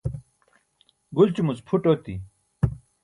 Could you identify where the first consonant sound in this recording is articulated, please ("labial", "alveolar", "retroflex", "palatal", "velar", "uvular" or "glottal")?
velar